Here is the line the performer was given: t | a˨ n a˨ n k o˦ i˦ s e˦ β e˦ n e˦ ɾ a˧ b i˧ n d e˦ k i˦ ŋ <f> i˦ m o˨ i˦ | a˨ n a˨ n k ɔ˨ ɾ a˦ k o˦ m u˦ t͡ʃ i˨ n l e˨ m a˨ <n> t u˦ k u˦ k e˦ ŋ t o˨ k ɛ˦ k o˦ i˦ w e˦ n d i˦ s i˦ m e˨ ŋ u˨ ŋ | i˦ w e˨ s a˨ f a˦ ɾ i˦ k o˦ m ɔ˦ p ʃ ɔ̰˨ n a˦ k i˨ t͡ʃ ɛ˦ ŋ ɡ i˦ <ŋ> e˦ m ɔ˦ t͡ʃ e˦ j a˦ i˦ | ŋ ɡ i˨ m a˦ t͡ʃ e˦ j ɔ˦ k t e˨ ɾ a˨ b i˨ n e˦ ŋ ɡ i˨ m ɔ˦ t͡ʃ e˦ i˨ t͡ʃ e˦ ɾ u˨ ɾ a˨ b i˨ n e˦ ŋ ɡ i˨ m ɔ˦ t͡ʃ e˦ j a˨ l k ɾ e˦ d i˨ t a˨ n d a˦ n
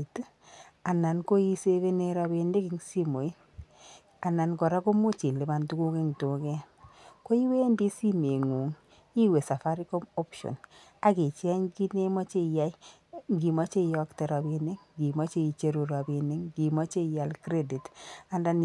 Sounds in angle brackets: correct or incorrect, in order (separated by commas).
incorrect, correct, incorrect